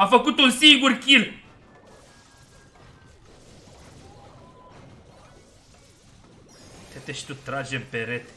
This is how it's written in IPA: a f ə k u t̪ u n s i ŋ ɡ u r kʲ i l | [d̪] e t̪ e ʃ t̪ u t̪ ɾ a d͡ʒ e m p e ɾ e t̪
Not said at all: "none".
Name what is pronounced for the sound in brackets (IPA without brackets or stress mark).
t̪